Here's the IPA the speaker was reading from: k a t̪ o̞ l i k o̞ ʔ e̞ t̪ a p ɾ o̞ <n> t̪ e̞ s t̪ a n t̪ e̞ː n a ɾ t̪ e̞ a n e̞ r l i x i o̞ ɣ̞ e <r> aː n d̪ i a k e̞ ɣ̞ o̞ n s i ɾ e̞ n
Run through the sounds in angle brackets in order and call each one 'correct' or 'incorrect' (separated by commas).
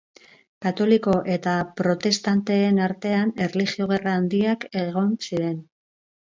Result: incorrect, correct